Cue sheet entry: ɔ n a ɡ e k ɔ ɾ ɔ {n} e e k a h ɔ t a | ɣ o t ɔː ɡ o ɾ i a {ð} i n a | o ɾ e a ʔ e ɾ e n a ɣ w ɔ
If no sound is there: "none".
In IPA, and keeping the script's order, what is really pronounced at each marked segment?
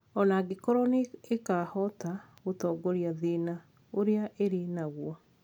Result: n, ð

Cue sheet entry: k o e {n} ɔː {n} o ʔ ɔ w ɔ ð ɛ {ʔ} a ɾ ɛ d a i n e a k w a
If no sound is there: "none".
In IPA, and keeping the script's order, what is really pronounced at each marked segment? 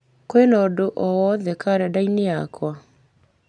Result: n, d, k

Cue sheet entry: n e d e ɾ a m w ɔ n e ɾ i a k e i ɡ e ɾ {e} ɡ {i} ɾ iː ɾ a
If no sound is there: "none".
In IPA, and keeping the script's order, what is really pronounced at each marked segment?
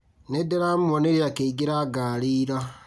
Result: a, a

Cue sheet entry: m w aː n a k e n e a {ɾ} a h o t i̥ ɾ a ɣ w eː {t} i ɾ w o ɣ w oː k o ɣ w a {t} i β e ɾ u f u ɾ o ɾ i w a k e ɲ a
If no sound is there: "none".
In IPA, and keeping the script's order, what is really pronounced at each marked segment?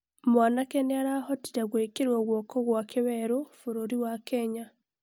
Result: ɾ, k, k

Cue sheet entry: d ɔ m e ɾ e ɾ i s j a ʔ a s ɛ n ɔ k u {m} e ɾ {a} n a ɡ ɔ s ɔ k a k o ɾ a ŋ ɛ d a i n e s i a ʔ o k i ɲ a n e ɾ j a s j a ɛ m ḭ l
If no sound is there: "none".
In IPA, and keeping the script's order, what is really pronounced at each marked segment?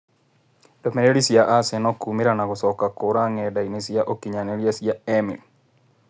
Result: m, a

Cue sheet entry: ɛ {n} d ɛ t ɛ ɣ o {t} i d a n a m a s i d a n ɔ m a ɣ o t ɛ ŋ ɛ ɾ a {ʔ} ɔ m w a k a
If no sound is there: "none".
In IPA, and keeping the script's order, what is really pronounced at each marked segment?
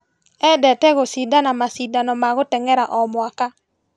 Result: none, s, ʔ

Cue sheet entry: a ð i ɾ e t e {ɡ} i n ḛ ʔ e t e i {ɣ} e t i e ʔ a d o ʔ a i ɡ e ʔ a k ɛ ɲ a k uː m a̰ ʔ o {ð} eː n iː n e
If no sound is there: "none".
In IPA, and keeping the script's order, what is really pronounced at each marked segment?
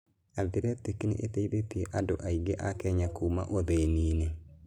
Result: k, ð, ð

